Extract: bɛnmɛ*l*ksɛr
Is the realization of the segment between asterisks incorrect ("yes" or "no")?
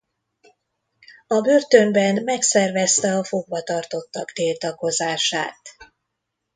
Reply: yes